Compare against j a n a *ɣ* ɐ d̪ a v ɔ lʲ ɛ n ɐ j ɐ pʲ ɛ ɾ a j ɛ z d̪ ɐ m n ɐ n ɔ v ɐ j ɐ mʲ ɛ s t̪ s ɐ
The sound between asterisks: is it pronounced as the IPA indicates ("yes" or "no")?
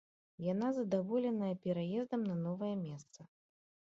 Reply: no